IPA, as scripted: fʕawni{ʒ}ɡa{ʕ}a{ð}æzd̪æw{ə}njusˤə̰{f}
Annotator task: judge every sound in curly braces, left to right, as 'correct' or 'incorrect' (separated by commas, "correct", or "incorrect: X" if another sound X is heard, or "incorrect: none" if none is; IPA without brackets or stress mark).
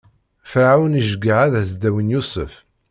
correct, correct, correct, correct, correct